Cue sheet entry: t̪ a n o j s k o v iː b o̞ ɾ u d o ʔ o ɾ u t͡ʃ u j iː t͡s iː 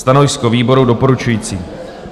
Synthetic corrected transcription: t̪ a n o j s k o v iː b o̞ ɾ u d o p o ɾ u t͡ʃ u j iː t͡s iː